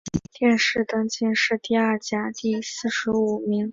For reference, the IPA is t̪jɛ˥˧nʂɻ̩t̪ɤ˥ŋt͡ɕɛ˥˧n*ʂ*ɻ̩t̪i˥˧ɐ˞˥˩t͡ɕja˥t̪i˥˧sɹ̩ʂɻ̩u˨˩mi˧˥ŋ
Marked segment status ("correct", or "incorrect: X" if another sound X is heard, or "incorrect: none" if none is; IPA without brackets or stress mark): correct